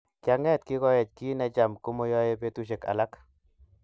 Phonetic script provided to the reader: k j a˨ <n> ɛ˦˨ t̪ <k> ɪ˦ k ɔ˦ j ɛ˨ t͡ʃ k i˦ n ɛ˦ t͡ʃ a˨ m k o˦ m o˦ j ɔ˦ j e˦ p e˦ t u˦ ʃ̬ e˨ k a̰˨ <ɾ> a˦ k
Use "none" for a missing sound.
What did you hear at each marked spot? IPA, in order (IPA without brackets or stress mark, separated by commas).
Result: ŋ, k, l